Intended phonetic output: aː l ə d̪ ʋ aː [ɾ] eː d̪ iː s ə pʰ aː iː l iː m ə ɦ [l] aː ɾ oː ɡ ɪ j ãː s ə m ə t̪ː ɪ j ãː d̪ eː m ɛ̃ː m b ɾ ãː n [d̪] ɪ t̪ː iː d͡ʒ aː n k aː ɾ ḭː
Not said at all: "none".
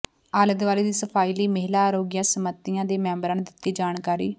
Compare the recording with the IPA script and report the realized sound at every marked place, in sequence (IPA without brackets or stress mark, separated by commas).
l, l, d̪